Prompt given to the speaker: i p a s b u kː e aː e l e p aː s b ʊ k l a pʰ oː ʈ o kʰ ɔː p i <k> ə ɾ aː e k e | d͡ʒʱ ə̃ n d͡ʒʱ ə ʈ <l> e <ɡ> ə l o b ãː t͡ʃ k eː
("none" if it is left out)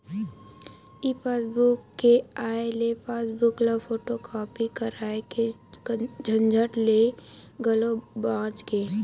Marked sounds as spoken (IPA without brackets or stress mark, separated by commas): k, l, ɡ